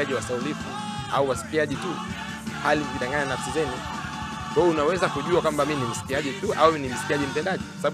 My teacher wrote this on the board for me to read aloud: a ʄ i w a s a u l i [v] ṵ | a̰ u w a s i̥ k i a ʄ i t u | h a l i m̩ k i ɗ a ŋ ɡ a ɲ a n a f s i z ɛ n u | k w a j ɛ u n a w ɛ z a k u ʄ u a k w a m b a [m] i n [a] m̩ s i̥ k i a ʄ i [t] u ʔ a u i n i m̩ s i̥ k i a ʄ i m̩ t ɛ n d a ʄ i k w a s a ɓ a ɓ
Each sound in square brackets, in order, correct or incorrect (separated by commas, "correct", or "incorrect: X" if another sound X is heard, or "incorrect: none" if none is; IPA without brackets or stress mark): incorrect: f, correct, incorrect: i, correct